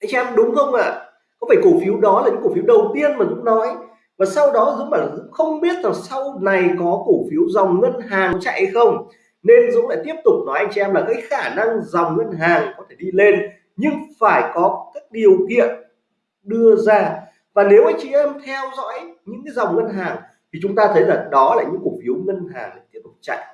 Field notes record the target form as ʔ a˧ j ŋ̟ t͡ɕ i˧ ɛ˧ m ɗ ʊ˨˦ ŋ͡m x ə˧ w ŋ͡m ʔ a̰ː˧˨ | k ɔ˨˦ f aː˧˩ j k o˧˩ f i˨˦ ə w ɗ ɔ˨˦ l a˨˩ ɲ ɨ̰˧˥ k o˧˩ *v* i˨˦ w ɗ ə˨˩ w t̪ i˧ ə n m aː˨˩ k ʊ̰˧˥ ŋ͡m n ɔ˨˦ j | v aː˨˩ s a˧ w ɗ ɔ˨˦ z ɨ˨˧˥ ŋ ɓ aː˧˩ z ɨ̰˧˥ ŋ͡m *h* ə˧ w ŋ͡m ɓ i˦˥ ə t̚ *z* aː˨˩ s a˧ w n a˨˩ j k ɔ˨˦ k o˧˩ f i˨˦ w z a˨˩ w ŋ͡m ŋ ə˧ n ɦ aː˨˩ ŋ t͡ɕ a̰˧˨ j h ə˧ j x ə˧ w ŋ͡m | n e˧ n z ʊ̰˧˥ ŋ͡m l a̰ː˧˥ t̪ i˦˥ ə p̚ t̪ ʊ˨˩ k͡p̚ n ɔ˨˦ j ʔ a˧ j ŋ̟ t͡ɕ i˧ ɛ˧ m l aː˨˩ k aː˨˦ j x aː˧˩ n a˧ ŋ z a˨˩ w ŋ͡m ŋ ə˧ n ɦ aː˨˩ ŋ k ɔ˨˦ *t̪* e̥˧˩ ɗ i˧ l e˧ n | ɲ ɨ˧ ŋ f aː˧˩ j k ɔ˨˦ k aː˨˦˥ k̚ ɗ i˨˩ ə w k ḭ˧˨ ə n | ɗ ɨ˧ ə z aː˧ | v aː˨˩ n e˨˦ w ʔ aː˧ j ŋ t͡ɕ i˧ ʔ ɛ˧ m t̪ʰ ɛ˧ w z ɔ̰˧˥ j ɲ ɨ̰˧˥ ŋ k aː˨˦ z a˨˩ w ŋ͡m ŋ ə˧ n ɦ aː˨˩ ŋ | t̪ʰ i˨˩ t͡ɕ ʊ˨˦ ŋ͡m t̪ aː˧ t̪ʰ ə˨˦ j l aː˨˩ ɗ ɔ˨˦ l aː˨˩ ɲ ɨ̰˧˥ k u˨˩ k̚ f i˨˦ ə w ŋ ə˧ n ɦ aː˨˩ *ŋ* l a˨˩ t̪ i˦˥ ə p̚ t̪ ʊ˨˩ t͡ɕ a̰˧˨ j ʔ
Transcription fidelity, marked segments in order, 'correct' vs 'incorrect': incorrect: f, incorrect: x, correct, incorrect: t̪ʰ, correct

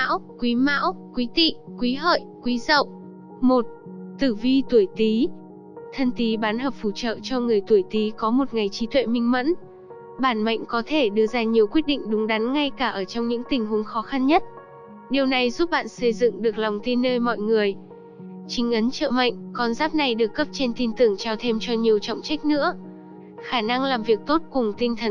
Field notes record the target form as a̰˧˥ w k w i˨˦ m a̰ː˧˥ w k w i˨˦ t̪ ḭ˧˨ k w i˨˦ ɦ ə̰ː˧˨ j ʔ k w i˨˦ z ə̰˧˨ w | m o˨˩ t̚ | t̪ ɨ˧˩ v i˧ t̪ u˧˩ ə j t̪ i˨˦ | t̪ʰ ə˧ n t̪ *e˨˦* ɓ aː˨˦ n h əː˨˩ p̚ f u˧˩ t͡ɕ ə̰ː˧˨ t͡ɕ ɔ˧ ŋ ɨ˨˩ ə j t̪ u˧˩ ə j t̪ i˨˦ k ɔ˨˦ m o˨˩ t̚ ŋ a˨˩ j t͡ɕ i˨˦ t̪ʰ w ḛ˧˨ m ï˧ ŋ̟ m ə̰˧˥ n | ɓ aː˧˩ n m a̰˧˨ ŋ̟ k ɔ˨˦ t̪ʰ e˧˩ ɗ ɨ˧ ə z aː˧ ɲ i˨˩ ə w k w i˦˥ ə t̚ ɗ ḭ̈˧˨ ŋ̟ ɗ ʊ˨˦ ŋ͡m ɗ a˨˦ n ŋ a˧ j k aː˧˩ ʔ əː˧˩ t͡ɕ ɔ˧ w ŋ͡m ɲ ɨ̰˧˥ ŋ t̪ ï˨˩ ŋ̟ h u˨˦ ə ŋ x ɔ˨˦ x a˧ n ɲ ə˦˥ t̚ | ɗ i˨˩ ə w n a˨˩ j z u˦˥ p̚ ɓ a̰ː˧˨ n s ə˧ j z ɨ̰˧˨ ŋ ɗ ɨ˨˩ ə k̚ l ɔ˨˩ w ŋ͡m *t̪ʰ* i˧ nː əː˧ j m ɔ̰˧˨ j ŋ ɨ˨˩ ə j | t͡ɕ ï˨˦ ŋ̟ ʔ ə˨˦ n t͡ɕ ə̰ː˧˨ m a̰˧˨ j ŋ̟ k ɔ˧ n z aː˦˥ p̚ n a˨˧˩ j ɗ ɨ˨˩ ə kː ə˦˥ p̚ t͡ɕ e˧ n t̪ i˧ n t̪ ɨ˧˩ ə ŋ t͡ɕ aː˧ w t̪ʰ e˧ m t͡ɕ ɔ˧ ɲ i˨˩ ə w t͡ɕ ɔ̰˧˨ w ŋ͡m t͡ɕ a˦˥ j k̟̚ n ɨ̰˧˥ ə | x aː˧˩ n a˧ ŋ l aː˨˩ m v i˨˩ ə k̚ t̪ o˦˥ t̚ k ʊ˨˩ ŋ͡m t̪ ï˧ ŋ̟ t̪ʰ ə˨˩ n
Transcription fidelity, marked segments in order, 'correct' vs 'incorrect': incorrect: i˨˦, incorrect: t̪

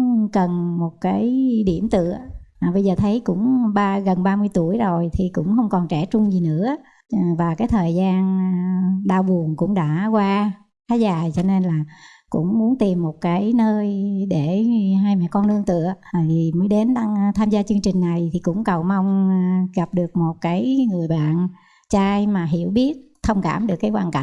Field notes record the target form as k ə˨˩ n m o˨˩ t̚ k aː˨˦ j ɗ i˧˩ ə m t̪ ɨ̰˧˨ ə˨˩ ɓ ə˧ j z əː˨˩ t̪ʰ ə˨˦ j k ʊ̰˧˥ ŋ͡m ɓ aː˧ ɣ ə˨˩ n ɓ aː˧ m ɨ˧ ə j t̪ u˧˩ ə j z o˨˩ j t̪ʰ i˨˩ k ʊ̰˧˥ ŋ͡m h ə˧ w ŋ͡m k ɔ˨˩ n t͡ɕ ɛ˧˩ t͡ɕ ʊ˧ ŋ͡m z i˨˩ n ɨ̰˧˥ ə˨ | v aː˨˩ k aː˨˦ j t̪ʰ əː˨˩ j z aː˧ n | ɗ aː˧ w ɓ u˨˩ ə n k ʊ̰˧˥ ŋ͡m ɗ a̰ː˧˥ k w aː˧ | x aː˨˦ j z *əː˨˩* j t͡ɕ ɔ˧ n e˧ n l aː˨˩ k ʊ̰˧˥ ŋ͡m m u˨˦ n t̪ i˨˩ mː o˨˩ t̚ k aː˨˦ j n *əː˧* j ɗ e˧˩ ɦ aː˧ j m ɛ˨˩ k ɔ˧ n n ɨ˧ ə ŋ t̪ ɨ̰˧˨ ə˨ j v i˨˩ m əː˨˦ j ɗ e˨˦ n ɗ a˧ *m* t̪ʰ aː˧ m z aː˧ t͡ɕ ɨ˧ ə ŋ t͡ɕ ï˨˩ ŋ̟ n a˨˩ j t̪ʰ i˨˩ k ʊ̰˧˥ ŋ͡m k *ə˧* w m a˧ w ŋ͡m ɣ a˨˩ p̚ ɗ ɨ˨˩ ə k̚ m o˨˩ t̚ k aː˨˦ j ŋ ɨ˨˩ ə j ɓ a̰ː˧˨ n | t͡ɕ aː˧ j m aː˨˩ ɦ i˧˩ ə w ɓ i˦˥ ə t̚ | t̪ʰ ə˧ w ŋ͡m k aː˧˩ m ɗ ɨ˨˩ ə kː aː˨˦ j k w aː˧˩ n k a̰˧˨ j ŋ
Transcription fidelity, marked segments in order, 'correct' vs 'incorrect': incorrect: aː˨˩, correct, incorrect: ŋ, incorrect: ə˨˩

